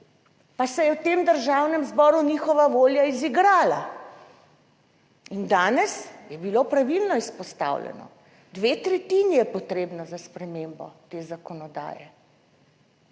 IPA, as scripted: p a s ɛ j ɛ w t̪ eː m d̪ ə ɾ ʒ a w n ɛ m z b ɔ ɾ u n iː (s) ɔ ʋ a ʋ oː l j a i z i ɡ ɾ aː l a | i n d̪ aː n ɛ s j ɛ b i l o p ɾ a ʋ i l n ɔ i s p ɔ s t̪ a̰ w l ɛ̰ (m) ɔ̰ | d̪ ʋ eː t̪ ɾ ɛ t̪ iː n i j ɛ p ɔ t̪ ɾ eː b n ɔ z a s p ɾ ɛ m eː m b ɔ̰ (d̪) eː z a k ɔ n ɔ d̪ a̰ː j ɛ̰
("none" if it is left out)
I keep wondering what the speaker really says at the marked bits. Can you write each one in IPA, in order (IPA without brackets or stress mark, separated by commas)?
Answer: x, n, t̪